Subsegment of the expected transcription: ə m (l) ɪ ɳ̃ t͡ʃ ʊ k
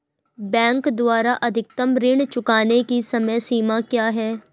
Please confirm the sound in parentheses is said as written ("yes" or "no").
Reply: no